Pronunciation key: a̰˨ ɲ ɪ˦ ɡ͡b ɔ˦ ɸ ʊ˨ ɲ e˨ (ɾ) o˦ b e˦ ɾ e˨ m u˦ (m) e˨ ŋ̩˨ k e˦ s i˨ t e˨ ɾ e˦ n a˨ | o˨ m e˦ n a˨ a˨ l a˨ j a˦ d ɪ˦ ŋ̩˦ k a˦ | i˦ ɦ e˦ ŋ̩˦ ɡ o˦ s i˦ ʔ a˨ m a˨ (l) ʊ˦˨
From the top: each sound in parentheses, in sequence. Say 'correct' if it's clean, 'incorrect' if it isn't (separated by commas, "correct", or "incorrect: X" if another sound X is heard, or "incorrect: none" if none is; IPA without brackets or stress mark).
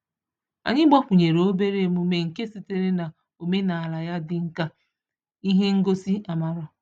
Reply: correct, correct, incorrect: ɾ